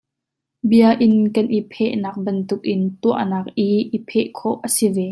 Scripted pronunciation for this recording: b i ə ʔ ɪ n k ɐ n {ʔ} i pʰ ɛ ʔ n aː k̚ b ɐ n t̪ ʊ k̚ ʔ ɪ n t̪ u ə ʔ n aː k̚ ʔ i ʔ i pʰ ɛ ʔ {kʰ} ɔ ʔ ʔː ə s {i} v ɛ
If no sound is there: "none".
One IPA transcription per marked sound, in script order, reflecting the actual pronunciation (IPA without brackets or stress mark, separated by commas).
ʔ, kʰ, i